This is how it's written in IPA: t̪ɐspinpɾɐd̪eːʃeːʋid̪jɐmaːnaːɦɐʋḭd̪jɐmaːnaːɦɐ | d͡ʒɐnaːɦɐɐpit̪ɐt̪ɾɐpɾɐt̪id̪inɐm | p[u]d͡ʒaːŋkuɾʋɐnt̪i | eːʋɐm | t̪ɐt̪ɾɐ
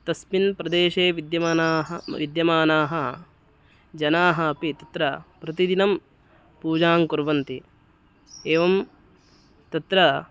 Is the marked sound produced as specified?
no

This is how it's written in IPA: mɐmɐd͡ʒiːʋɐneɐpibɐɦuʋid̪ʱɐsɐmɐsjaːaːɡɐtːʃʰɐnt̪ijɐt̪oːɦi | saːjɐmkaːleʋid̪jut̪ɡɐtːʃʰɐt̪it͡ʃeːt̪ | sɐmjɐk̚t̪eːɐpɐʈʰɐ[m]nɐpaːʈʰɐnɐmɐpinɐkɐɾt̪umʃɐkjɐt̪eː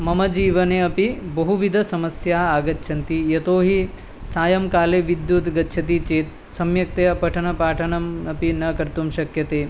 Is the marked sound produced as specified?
no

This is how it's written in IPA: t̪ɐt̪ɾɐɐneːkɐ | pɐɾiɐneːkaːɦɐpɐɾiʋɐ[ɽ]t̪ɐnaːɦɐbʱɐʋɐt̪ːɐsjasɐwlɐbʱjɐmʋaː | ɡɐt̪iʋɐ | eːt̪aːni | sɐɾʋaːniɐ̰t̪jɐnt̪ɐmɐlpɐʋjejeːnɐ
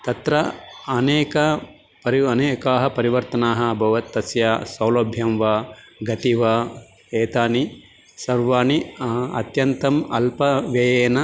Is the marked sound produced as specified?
no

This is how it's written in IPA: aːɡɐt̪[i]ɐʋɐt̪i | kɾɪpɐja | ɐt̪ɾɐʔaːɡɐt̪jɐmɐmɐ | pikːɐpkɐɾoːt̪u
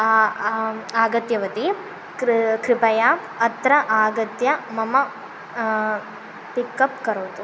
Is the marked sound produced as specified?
no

